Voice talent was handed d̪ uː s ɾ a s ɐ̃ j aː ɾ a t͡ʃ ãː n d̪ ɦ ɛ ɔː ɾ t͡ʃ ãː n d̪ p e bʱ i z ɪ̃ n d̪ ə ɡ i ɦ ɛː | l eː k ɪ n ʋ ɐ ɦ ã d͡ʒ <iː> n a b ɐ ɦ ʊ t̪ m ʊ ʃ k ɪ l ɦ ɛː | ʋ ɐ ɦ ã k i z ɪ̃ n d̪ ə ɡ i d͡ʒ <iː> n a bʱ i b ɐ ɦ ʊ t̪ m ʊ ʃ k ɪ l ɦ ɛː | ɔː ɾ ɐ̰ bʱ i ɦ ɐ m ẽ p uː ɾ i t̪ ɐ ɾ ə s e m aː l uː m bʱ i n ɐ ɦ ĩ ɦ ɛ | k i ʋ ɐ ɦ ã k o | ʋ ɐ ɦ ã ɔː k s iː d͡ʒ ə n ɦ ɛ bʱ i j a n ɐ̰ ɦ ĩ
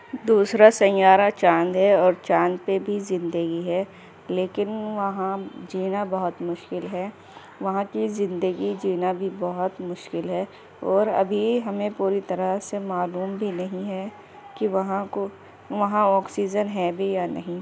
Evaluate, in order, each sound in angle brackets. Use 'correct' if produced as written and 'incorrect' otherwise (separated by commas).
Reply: correct, correct